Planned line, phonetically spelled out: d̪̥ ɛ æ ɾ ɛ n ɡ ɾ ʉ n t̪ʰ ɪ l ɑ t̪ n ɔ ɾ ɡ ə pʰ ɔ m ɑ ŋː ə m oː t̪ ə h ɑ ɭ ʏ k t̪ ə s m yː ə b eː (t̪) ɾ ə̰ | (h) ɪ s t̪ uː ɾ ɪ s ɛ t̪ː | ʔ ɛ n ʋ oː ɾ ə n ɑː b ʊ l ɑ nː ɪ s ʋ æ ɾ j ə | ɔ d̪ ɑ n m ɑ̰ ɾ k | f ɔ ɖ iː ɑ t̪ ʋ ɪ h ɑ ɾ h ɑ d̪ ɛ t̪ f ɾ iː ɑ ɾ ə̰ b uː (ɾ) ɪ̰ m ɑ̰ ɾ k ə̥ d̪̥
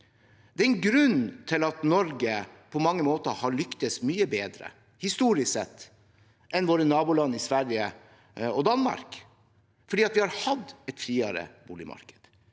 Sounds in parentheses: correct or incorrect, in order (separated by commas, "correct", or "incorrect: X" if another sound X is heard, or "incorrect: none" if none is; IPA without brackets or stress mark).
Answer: incorrect: d̪, correct, incorrect: l